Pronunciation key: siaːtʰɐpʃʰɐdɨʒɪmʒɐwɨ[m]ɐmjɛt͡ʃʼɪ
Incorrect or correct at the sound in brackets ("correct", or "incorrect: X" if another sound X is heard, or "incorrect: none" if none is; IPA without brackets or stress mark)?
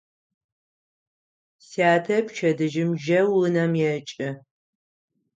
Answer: incorrect: n